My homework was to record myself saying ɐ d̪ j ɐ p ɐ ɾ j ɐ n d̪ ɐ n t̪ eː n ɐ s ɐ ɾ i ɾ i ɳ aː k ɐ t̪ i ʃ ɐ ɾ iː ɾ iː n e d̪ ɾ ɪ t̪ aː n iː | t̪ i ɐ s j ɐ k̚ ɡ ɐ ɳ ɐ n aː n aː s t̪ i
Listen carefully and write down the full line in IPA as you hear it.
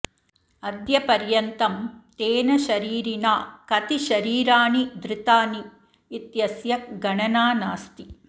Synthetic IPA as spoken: ɐ d̪ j ɐ p ɐ ɾ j ɐ n t̪ ɐ m t̪ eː n ɐ ʃ ɐ ɾ iː ɾ i n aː k ɐ t̪ i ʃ ɐ ɾ iː ɾ aː n i d̪ ɾ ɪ t̪ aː n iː | t̪ j ɐ s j ɐ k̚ ɡ ɐ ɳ ɐ n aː n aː s t̪ i